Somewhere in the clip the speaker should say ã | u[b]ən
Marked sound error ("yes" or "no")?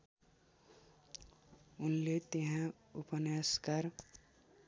yes